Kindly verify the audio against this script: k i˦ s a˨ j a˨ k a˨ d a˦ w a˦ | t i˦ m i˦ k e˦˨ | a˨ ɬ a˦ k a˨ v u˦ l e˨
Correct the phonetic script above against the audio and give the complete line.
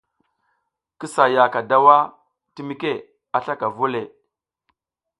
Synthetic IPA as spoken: k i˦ s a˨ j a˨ k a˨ d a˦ w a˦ | t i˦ m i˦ k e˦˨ | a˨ ɬ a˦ k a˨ v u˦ l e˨